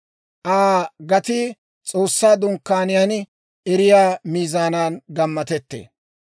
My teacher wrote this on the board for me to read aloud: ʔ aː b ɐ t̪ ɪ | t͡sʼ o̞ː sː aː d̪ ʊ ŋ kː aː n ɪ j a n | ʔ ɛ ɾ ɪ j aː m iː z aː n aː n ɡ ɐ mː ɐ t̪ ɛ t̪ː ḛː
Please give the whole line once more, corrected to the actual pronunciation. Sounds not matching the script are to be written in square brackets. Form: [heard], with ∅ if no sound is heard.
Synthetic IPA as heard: ʔ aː [ɡ] ɐ t̪ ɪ | t͡sʼ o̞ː sː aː d̪ ʊ ŋ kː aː n ɪ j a n | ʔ ɛ ɾ ɪ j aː m iː z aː n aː n ɡ ɐ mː ɐ t̪ ɛ t̪ː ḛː